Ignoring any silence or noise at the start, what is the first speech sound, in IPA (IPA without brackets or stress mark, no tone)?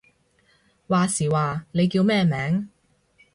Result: w